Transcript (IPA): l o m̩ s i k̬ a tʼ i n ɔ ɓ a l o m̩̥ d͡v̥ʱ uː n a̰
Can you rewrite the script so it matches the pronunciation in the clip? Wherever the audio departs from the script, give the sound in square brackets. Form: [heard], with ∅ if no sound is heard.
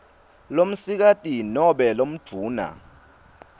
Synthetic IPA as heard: l o m̩ s i k̬ a tʼ i n ɔ ɓ [ɛ] l o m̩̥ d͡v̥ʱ uː n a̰